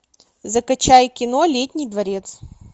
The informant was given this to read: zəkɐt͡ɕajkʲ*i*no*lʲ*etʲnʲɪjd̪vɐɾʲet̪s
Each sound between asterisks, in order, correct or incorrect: incorrect: ɪ, correct

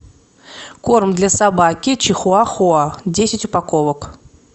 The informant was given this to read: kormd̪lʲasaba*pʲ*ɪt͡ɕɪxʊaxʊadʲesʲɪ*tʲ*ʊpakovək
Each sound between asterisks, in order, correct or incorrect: incorrect: kʲ, correct

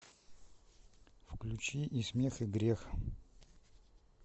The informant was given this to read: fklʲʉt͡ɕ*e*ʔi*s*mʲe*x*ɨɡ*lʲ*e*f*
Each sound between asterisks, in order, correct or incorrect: incorrect: i, correct, correct, incorrect: ɾʲ, incorrect: x

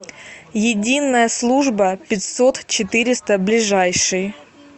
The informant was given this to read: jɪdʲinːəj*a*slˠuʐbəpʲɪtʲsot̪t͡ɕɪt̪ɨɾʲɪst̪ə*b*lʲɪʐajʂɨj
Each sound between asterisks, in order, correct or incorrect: incorrect: ə, correct

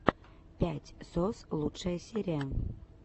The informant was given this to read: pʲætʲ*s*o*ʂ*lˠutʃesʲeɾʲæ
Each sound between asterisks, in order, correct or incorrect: correct, incorrect: s

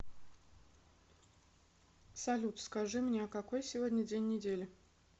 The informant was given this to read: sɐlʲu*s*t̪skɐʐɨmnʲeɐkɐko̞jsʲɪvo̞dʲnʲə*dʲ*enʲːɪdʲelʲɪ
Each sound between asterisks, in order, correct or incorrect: incorrect: none, correct

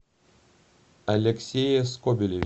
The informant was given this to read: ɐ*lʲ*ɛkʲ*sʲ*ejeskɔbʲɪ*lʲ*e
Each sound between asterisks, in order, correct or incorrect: correct, correct, correct

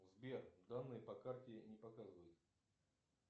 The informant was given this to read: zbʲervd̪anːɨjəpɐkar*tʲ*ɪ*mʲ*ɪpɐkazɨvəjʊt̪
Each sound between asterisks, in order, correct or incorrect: correct, incorrect: nʲ

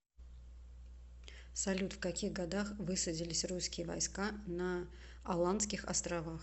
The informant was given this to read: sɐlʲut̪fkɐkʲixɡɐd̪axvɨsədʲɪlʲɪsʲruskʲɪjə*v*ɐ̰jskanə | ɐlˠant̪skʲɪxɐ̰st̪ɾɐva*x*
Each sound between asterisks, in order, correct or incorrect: correct, correct

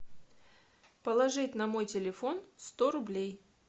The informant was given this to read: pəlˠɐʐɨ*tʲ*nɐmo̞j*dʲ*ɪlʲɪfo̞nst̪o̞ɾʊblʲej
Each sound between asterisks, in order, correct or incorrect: correct, incorrect: tʲ

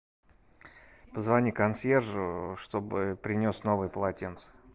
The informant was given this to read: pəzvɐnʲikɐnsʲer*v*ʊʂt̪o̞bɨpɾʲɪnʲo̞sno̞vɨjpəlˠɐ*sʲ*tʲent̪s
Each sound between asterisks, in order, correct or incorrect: incorrect: ʐ, incorrect: none

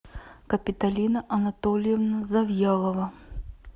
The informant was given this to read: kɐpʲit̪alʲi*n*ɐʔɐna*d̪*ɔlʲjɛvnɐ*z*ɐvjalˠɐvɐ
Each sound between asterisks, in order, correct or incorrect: correct, incorrect: t̪, correct

